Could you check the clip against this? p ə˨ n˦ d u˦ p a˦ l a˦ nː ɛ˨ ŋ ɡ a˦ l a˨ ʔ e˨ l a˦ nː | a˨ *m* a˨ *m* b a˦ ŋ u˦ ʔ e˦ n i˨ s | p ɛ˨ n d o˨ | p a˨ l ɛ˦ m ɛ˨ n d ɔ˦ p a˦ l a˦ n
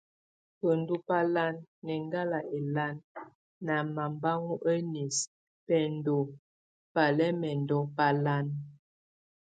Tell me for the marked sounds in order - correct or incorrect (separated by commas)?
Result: correct, correct